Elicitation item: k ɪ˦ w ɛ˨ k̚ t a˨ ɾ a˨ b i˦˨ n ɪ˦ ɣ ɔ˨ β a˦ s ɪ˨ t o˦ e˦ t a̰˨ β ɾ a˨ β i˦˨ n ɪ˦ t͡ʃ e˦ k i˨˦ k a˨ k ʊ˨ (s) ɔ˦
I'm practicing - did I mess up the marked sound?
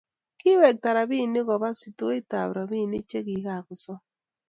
no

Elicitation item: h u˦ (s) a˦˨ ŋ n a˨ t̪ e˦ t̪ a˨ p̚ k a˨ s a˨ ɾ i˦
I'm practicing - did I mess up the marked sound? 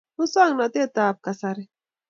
no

